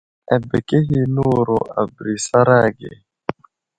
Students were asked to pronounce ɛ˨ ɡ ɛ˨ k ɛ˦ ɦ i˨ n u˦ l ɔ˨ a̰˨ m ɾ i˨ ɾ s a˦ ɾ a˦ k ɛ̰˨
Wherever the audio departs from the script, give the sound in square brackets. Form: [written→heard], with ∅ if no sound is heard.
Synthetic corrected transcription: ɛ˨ [ɡ→b] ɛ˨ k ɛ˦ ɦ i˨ n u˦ [l→ɾ] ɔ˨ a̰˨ [m→b] ɾ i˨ [ɾ→∅] s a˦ ɾ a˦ [k→ɡ] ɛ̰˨